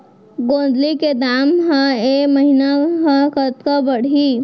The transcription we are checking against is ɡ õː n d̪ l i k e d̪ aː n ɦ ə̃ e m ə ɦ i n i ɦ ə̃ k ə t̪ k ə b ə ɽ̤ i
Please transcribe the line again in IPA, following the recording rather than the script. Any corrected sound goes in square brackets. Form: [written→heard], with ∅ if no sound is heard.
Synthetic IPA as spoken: ɡ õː n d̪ l i k e d̪ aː [n→m] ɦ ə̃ e m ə ɦ i n [i→a] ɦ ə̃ k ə t̪ k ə b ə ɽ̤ i